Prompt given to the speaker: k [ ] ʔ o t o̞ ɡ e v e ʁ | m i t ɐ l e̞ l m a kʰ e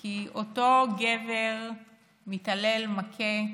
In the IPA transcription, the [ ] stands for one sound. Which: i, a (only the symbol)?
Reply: i